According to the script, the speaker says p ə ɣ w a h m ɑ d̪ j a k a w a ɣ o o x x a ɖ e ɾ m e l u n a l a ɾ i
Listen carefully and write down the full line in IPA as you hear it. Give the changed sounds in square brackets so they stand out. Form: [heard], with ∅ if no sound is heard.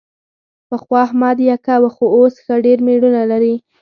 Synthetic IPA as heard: p ə [x] w [ɑ] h m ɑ d̪ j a k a w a [x] o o [s] x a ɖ e ɾ m e [ɽ] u n a l a ɾ i